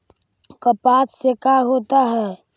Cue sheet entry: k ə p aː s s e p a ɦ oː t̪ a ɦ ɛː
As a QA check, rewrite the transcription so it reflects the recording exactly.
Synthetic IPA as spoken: k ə p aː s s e k a ɦ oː t̪ a ɦ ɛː